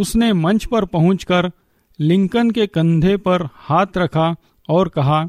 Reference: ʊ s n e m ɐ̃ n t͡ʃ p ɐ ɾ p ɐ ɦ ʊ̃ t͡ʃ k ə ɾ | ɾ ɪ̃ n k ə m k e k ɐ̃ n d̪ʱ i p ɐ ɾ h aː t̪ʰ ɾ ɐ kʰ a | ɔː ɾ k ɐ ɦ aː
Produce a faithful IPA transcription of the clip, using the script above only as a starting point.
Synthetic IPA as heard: ʊ s n e m ɐ̃ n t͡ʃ p ɐ ɾ p ɐ ɦ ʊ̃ t͡ʃ k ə ɾ | l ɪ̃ ŋ k ə n k e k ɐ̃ n d̪ʱ e p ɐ ɾ h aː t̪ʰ ɾ ɐ kʰ a | ɔː ɾ k ɐ ɦ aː